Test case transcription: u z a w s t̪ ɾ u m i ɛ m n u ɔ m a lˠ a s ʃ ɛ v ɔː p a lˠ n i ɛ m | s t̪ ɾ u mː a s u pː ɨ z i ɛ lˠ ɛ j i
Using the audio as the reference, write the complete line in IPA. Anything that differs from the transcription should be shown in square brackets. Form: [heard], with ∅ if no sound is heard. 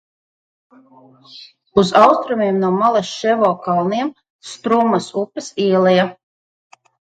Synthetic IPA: u z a w s t̪ ɾ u m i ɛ m n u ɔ m a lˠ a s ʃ ɛ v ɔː [k] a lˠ n i ɛ m | s t̪ ɾ u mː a s u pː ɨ [s] i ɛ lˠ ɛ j [a]